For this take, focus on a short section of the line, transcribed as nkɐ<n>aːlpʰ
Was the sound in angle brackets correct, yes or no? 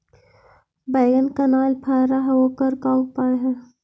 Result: yes